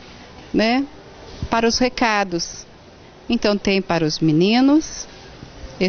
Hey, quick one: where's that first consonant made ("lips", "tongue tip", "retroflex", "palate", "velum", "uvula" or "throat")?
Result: tongue tip